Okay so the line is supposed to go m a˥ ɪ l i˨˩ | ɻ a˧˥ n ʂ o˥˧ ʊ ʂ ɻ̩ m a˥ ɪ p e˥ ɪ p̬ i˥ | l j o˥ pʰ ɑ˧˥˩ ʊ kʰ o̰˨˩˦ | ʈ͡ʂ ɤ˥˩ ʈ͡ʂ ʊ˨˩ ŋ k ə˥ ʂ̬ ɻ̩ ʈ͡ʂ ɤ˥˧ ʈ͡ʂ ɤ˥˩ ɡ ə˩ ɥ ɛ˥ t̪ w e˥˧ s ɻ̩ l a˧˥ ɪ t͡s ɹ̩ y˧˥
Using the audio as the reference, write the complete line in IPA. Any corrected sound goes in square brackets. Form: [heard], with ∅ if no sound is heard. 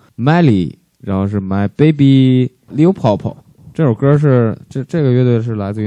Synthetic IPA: m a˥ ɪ l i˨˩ | ɻ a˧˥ n [x] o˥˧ ʊ ʂ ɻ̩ m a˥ ɪ p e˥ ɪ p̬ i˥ | l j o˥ pʰ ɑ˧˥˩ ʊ [pʰ] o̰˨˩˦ | ʈ͡ʂ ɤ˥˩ ʈ͡ʂ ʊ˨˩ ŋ k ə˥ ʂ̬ ɻ̩ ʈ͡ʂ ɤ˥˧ ʈ͡ʂ ɤ˥˩ ɡ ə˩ ɥ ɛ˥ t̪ w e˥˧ [ʂ] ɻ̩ l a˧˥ ɪ t͡s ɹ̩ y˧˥